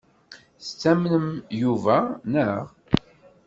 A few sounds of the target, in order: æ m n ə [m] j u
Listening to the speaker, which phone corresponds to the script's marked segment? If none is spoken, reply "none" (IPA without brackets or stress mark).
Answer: m